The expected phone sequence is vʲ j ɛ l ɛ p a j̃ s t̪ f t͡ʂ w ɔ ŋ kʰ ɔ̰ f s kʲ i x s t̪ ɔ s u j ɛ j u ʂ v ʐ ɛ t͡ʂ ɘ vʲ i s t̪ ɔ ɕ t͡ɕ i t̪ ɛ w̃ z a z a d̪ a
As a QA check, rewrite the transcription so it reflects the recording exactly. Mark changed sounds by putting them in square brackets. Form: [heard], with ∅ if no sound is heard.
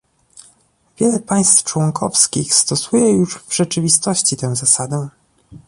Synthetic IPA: vʲ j ɛ l ɛ p a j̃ s t̪ f t͡ʂ w ɔ ŋ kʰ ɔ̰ f s kʲ i x s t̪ ɔ s u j ɛ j u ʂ v ʐ ɛ t͡ʂ ɘ vʲ i s t̪ ɔ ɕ t͡ɕ i t̪ ɛ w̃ z a [s] a d̪ [ɛ]